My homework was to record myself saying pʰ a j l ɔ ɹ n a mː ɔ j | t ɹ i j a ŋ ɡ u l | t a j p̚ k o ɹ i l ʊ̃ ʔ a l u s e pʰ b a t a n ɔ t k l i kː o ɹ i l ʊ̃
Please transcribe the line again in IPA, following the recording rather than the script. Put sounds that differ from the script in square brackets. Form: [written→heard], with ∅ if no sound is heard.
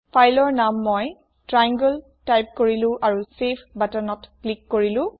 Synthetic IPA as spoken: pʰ a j l ɔ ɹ n a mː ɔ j | t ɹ [i→a] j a ŋ ɡ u l | t a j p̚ k o ɹ i l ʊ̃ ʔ a [l→ɹ] u s e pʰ b a t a n ɔ t k l i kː o ɹ i l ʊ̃